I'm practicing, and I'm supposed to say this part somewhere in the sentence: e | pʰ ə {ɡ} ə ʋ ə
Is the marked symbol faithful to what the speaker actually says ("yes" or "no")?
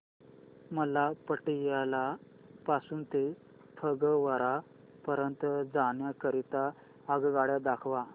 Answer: yes